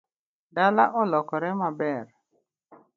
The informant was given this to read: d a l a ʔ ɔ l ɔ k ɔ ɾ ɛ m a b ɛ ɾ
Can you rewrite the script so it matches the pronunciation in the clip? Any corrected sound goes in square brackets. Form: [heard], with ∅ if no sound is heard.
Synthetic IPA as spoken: d a l a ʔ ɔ l ɔ k ɔ ɾ ɛ m a b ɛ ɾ